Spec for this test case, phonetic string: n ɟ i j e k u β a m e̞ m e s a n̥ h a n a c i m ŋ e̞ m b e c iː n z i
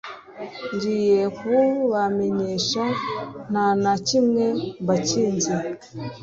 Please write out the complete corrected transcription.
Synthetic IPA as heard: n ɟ i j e k u β a m e̞ ɲ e ʃ a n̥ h a n a c i m ŋ e̞ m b a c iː n z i